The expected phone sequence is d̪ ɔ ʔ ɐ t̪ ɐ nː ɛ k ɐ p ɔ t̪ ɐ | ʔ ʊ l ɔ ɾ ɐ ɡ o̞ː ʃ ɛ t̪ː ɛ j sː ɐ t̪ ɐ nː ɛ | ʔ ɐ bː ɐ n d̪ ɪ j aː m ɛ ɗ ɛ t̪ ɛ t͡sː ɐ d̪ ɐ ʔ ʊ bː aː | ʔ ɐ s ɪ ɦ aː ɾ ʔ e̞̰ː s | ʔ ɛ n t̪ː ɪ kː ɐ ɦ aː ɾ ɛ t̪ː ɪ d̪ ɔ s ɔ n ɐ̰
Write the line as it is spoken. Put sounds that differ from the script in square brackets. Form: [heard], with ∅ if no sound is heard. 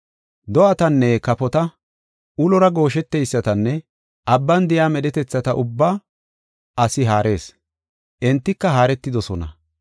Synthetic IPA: d̪ ɔ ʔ ɐ t̪ ɐ nː ɛ k ɐ p ɔ t̪ ɐ | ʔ ʊ l ɔ ɾ ɐ ɡ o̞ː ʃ ɛ t̪ː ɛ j sː ɐ t̪ ɐ nː ɛ | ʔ ɐ bː ɐ n d̪ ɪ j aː m ɛ ɗ ɛ t̪ ɛ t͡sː ɐ [t̪] ɐ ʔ ʊ bː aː | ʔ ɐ s ɪ ɦ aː ɾ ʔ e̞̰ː s | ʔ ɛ n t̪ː ɪ kː ɐ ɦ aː ɾ ɛ t̪ː ɪ d̪ ɔ s ɔ n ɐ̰